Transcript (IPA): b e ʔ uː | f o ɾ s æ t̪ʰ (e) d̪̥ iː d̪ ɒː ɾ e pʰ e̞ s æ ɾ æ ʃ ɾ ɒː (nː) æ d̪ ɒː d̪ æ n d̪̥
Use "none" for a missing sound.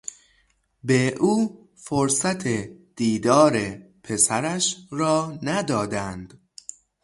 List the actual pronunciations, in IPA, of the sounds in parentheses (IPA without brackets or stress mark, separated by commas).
e, n